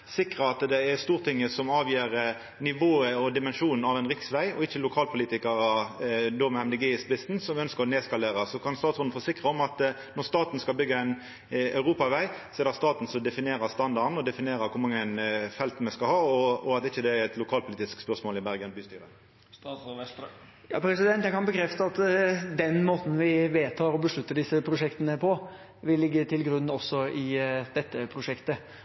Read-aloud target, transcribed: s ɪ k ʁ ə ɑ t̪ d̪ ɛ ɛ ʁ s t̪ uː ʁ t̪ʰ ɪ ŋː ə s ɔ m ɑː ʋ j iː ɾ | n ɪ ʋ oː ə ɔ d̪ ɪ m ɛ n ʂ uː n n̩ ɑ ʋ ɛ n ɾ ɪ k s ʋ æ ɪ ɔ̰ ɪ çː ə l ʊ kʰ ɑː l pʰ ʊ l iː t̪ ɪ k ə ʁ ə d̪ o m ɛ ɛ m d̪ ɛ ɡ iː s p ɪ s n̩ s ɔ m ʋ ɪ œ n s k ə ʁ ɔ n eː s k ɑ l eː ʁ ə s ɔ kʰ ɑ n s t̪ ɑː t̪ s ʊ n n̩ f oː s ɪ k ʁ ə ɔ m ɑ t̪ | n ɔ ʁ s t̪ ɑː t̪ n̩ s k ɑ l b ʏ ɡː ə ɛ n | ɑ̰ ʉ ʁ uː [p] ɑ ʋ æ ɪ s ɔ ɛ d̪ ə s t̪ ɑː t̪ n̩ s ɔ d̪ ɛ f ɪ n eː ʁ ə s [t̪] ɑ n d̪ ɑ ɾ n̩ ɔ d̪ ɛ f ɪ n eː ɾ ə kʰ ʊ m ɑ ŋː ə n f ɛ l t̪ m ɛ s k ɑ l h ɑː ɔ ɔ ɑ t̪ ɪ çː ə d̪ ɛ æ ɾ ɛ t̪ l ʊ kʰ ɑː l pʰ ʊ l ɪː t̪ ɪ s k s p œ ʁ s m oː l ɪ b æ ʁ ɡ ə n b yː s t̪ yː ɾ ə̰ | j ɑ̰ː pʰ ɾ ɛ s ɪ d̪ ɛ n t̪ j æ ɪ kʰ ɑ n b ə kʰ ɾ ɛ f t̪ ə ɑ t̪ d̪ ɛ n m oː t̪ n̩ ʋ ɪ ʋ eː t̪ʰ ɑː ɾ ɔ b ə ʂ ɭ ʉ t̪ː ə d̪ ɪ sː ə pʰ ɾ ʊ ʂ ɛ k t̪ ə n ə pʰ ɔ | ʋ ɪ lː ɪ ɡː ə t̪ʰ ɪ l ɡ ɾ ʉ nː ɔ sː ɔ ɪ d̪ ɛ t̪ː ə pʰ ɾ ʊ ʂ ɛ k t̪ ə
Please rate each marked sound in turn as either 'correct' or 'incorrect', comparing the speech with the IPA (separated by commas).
correct, correct